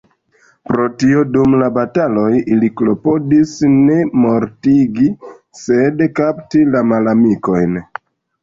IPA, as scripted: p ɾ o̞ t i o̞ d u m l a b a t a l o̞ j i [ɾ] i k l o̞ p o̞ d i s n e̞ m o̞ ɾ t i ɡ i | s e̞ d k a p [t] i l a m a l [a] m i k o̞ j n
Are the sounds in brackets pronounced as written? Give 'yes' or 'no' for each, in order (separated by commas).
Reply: no, yes, yes